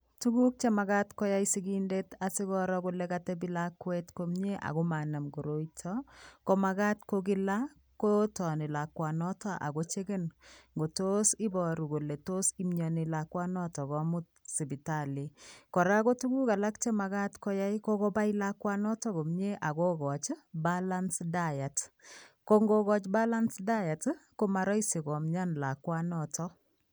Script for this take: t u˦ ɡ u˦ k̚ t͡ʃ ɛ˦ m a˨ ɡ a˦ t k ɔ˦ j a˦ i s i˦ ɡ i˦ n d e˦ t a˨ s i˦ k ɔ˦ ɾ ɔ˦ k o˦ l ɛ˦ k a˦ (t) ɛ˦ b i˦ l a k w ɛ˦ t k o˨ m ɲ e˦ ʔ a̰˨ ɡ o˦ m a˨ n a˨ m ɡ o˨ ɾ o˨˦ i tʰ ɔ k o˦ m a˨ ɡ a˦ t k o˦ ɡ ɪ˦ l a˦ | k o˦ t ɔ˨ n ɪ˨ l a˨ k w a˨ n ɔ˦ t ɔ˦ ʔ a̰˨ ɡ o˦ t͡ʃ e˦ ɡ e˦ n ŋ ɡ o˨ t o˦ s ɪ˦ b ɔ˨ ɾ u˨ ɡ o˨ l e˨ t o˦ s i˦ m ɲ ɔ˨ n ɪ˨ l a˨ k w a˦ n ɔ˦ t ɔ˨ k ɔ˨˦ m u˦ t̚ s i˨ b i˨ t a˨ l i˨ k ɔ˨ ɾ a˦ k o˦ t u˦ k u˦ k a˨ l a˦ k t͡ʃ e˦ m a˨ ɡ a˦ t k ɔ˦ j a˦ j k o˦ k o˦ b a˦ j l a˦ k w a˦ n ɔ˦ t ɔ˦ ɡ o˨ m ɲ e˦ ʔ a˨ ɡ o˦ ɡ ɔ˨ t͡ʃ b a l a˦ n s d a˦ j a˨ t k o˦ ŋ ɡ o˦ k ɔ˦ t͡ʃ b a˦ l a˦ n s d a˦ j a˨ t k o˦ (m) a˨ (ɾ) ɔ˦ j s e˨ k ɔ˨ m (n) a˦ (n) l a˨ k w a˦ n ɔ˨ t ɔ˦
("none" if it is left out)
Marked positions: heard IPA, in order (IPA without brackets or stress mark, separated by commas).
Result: t, m, ɾ, ɲ, n